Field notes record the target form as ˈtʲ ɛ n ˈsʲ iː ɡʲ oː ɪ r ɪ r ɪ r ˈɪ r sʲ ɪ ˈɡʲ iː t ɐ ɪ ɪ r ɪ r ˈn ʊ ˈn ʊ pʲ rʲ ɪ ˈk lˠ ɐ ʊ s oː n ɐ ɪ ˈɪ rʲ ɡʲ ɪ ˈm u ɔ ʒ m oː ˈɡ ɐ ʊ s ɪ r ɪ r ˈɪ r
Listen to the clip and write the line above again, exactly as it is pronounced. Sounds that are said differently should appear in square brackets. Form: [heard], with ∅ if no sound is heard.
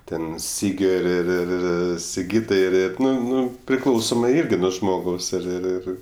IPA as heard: ˈtʲ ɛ n ˈsʲ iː ɡʲ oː ɪ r ɪ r ɪ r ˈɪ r sʲ ɪ ˈɡʲ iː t ɐ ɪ ɪ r ɪ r ˈn ʊ ˈn ʊ pʲ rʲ ɪ ˈk lˠ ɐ ʊ s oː [m] ɐ ɪ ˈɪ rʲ ɡʲ ɪ [ˈn] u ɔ ʒ m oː ˈɡ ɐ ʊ s ɪ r ɪ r ˈɪ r